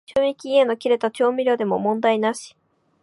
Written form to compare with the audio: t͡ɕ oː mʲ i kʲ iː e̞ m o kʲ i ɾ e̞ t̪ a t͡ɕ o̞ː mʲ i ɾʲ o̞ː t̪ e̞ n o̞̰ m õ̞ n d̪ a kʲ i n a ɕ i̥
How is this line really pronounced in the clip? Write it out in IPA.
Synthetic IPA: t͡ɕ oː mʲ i kʲ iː e̞ n o kʲ i ɾ e̞ t̪ a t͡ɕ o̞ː mʲ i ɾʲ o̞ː d̪ e̞ m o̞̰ m õ̞ n d̪ a i n a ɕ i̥